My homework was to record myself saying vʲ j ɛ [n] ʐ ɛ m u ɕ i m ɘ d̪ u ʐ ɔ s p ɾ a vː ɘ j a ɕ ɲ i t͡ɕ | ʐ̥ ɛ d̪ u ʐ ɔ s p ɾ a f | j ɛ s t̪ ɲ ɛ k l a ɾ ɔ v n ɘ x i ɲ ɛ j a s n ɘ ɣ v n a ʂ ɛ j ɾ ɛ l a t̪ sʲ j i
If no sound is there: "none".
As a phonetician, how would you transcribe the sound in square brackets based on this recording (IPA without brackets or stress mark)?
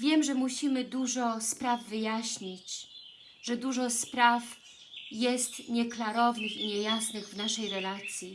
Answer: m